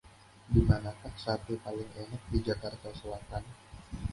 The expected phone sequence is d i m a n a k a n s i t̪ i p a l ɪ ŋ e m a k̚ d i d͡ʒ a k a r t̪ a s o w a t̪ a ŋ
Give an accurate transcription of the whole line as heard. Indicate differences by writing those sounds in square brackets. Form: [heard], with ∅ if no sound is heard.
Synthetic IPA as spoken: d i m a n a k a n s [a] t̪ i p a l ɪ ŋ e [n] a k̚ d i d͡ʒ a k a r t̪ a s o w a t̪ a [n]